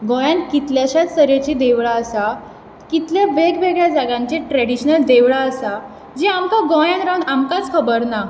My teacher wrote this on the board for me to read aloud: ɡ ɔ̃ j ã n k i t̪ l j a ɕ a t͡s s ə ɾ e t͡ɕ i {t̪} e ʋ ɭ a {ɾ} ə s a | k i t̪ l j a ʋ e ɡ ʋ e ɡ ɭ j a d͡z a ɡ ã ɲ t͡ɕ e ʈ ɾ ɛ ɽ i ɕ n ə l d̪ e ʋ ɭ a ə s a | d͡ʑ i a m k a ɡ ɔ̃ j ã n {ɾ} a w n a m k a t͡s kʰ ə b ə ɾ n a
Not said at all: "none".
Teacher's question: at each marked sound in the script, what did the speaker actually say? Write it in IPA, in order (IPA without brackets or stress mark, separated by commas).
d̪, none, ɾ